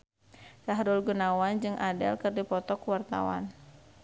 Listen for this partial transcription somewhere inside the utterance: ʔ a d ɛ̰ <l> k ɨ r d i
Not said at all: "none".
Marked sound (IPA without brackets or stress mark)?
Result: l